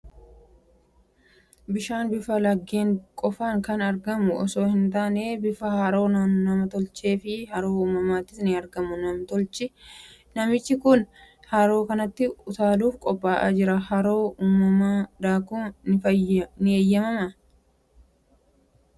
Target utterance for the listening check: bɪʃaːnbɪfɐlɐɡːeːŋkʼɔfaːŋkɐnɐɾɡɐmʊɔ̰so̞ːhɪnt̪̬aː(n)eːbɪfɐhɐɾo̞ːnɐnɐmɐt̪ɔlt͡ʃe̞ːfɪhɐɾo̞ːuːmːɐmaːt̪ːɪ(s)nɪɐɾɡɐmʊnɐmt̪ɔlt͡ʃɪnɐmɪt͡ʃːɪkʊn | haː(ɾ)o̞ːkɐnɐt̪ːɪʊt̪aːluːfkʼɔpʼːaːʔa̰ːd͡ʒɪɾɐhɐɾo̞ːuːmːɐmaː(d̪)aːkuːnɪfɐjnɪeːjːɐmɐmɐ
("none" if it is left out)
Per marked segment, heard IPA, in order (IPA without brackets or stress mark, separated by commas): n, s, ɾ, d̪